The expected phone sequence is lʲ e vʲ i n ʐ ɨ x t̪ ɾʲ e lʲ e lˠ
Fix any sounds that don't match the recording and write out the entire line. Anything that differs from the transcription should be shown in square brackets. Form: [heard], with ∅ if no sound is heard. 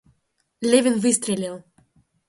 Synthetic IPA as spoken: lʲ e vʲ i n [v] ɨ [s] t̪ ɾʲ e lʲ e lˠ